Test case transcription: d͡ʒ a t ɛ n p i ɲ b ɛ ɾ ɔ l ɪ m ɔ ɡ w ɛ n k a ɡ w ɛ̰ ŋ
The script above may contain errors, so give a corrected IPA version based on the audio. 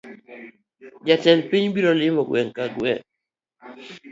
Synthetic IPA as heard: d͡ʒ a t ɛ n p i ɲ b i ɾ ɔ l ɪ m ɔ ɡ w ɛ ŋ k a ɡ w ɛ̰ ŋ